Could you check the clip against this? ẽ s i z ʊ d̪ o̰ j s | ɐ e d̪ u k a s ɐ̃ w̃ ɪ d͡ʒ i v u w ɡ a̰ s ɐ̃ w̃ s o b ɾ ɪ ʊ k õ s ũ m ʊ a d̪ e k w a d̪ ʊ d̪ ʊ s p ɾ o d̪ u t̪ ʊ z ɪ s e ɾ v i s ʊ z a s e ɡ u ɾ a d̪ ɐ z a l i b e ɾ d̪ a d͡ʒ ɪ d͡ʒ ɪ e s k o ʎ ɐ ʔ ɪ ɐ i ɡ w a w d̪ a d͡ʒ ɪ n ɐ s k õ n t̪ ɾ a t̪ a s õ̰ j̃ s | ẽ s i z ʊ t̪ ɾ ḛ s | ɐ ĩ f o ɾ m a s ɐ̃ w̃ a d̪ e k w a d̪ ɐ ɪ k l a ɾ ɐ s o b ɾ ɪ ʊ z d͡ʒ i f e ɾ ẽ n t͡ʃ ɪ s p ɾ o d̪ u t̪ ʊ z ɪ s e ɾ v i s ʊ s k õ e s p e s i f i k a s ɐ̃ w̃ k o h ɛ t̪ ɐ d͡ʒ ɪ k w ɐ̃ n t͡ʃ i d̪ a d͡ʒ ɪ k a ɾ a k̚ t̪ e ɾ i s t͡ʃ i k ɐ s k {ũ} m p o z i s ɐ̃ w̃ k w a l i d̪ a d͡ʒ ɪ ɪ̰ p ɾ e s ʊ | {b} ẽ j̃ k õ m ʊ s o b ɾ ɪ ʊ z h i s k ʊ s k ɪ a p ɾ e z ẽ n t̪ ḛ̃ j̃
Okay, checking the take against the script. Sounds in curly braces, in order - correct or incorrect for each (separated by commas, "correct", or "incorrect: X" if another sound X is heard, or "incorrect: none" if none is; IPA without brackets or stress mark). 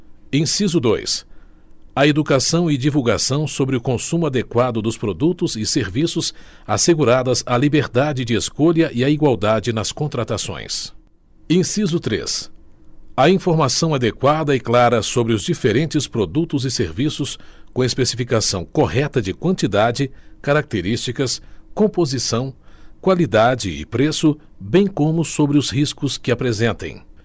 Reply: incorrect: õ, correct